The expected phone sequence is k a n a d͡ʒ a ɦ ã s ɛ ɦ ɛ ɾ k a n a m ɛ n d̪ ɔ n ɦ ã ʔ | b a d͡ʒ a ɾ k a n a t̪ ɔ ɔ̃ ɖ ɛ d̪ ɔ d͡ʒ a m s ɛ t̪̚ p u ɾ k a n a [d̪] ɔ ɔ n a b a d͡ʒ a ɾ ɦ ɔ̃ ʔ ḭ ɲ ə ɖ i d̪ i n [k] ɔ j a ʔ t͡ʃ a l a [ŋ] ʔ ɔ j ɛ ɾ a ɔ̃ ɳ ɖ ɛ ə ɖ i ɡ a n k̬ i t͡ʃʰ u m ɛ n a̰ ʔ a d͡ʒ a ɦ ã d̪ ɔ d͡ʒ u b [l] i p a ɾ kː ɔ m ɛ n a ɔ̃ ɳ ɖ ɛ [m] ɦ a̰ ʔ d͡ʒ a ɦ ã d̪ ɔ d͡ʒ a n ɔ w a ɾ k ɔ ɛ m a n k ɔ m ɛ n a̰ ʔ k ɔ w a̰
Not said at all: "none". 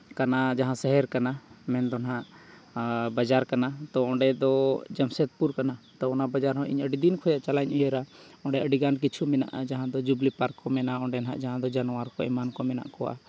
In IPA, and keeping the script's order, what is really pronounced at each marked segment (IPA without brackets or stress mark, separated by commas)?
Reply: t̪, kʰ, ɲ, l, n